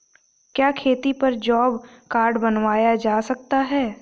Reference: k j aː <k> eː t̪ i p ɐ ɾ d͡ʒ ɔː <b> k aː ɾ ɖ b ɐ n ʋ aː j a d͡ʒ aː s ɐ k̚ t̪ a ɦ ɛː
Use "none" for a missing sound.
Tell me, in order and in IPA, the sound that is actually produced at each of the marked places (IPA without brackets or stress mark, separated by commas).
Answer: kʰ, b